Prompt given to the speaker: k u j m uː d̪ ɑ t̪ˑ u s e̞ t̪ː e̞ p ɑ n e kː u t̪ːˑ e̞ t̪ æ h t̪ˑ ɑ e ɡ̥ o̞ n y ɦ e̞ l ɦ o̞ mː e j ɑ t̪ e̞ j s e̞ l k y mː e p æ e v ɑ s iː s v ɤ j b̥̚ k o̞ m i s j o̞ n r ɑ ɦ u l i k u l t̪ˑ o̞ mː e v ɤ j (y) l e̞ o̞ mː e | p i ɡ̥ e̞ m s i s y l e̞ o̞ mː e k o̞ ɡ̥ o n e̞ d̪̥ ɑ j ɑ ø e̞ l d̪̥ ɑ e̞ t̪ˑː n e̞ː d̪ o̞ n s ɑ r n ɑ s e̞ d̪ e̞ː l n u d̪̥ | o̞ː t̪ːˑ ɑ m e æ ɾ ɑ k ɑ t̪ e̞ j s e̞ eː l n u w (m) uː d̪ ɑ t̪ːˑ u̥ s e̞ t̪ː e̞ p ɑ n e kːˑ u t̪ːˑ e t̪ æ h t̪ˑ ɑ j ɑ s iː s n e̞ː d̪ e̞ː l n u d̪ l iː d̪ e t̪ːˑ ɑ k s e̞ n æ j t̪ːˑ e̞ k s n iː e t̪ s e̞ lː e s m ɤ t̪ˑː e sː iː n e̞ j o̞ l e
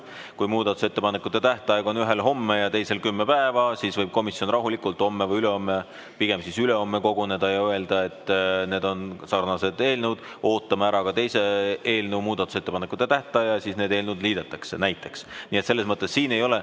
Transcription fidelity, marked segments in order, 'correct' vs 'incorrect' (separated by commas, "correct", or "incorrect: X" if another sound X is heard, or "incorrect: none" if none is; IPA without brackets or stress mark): correct, correct